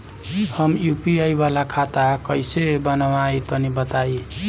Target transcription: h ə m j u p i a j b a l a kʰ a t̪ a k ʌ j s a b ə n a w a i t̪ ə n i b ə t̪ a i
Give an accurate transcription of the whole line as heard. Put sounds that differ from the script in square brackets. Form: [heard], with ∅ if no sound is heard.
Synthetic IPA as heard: h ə m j u p i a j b a l a kʰ a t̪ a k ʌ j s [e] b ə n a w a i t̪ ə n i b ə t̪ a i